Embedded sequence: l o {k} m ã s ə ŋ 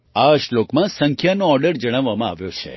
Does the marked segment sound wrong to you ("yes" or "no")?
no